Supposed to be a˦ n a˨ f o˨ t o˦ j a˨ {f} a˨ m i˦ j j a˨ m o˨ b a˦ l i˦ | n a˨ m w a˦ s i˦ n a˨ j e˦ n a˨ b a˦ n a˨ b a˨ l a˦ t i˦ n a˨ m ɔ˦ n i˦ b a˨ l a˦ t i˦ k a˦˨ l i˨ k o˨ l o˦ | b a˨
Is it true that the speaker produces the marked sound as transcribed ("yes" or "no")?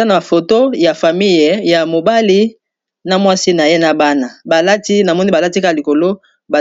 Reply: yes